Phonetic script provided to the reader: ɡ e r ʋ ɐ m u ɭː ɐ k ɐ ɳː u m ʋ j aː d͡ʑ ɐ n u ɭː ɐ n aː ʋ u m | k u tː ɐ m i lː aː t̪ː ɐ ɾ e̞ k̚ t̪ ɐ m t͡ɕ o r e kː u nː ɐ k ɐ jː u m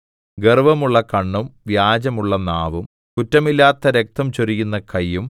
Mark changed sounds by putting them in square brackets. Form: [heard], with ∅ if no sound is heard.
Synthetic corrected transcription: ɡ e r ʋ ɐ m u ɭː ɐ k ɐ ɳː u m ʋ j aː d͡ʑ ɐ [m] u ɭː ɐ n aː ʋ u m | k u tː ɐ m i lː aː t̪ː ɐ ɾ e̞ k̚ t̪ ɐ m t͡ɕ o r [i] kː u nː ɐ k ɐ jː u m